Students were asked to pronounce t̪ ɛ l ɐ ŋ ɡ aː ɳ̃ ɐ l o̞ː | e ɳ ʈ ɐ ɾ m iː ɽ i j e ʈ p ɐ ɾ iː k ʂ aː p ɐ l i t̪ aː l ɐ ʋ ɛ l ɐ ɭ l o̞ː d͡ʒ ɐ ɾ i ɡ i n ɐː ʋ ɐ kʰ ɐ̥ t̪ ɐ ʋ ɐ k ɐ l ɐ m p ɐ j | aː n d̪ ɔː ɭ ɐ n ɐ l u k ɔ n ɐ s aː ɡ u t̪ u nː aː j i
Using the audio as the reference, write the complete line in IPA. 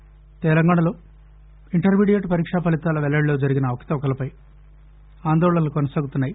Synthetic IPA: t̪ ɛ l ɐ ŋ ɡ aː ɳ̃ ɐ l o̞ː | i ɳ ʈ ɐ ɾ m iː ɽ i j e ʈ p ɐ ɾ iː k ʂ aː p ɐ l i t̪ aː l ɐ ʋ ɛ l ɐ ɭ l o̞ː d͡ʒ ɐ ɾ i ɡ i n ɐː ʋ ɐ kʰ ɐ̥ t̪ ɐ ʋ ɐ k ɐ l ɐ p ɐ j | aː n d̪ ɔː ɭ ɐ n ɐ l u k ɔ n ɐ s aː ɡ u t̪ u nː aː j i